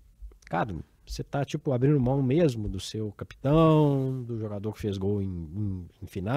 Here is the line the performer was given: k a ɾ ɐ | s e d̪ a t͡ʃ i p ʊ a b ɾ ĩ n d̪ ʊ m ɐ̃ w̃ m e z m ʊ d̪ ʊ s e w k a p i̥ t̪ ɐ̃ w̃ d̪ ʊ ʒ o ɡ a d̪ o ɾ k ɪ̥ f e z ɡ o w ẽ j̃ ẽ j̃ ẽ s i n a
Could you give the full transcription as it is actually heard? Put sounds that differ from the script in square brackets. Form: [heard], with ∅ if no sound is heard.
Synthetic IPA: k a ɾ ɐ | s e [t̪] a t͡ʃ i p ʊ a b ɾ ĩ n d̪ ʊ m ɐ̃ w̃ m e z m ʊ d̪ ʊ s e w k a p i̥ t̪ ɐ̃ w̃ d̪ ʊ ʒ o ɡ a d̪ o ɾ k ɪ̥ f e z ɡ o w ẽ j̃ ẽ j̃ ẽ [f] i n a